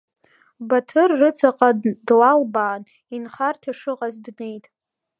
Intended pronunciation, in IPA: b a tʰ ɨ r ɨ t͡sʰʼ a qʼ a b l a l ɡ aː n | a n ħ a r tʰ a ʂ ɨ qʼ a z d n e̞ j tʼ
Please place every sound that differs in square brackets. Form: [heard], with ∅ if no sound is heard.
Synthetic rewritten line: b a tʰ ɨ [rː] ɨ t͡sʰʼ a qʼ a [d] l a l [b] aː n | [i] n [χ] a r tʰ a ʂ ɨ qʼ a z d n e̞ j tʼ

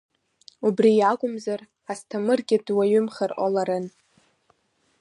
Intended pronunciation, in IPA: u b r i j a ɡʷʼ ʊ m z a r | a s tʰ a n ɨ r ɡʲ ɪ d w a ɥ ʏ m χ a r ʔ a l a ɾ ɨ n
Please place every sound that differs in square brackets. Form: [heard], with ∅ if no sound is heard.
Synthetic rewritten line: u b r i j a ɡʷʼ ʊ m z a r | a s tʰ a [m] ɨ r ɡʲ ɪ d w a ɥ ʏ m χ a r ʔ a l a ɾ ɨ n

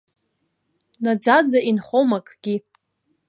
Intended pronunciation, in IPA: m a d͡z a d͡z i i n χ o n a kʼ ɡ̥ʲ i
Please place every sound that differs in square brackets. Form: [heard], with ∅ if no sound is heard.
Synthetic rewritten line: [n] a d͡z a d͡z [a] i n χ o [m] a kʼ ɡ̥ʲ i

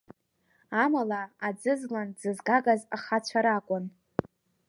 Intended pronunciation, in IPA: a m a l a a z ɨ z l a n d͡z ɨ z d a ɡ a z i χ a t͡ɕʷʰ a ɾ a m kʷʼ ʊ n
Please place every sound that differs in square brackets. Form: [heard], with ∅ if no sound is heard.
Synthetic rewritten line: a m a l a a [d͡z] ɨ z l a n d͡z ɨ z [ɡ] a ɡ a z [a] χ a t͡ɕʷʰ a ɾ a [∅] kʷʼ ʊ n

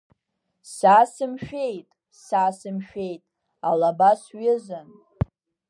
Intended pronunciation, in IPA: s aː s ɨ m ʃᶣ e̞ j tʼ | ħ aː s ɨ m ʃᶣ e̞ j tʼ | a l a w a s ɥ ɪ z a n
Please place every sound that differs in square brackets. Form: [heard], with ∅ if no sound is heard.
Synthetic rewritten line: s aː s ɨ m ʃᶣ e̞ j tʼ | [s] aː s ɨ m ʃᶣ e̞ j tʼ | a l a [b] a s ɥ ɪ z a n

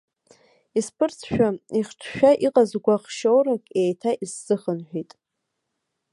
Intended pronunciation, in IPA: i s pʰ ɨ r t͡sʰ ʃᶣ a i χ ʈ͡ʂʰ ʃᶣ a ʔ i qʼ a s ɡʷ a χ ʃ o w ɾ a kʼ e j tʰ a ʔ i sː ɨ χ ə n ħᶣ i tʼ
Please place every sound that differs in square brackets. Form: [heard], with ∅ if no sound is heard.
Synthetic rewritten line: i s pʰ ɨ r t͡sʰ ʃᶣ a i χ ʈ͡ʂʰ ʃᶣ a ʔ i qʼ a [z] ɡʷ a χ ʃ o w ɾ a kʼ e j tʰ a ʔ i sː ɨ χ ə n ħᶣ i tʼ

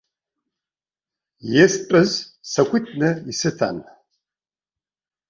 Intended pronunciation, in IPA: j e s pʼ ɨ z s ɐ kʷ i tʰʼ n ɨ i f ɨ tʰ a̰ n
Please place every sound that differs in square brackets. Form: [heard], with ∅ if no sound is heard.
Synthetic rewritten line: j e s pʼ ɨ z s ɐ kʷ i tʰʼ n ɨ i [s] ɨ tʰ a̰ n

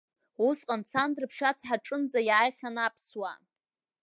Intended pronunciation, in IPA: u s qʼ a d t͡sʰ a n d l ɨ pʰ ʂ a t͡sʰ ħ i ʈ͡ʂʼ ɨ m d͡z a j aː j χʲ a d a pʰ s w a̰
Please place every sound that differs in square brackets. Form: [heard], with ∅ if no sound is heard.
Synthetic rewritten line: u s qʼ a [n] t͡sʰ a n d [r] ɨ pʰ ʂ a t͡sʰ ħ [a] ʈ͡ʂʼ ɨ [n] d͡z a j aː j χʲ a [n] a pʰ s w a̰

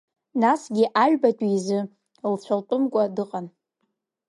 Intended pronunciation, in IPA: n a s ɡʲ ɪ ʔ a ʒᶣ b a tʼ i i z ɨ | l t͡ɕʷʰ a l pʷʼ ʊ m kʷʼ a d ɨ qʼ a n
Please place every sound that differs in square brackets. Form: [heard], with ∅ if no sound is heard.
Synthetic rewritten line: n a s ɡʲ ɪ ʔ a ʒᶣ b a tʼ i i z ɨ | l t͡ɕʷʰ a l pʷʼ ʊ m kʷʼ a d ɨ qʼ a n

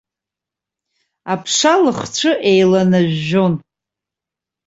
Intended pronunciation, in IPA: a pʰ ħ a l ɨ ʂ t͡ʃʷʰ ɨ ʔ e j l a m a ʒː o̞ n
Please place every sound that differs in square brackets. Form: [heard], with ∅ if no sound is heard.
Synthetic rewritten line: a pʰ [ʂ] a l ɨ [χ] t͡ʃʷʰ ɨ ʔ e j l a [n] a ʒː o̞ n

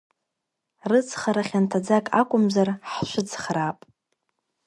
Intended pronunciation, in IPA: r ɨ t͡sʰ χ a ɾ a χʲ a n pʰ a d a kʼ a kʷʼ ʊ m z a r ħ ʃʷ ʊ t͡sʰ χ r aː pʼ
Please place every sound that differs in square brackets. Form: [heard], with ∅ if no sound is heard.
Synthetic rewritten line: r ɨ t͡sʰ χ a ɾ a χʲ a n [tʰ] a [d͡z] a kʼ a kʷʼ ʊ m z a r ħ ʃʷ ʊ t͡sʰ χ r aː pʼ

